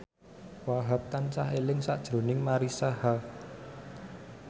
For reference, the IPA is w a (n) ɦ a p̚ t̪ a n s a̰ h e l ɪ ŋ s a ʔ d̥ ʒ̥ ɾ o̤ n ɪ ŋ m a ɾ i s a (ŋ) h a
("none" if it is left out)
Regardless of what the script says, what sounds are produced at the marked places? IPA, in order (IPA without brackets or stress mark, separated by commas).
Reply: none, none